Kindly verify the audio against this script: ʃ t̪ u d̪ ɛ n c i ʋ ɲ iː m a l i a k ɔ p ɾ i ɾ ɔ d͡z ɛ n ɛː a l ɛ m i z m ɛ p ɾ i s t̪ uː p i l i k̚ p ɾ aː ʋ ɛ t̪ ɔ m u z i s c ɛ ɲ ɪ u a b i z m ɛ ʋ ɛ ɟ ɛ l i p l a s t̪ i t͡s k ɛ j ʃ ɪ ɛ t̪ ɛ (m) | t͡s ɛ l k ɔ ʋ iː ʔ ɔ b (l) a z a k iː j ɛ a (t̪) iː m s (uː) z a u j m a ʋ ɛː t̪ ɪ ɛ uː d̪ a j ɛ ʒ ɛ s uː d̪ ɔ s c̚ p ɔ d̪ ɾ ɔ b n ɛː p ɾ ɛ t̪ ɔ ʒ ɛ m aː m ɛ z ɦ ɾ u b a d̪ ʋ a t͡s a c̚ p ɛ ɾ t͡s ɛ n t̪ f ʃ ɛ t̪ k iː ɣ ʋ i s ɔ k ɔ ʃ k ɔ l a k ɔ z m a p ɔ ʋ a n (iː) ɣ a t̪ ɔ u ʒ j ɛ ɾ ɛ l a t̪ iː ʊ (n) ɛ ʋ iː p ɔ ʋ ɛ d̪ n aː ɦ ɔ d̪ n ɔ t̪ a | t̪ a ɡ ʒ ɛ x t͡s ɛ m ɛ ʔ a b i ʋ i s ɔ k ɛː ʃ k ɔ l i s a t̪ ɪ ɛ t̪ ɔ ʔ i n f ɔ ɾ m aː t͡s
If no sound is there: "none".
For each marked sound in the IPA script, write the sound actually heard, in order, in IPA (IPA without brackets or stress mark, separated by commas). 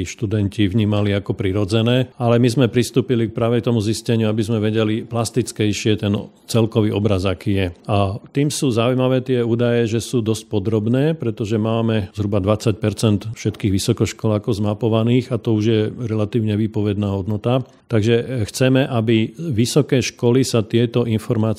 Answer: n, ɾ, t̪, uː, iː, ɲ